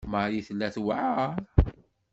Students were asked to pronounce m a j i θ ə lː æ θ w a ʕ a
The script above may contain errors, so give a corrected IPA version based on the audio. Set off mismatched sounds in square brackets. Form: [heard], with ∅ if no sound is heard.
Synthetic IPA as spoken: m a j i θ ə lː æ θ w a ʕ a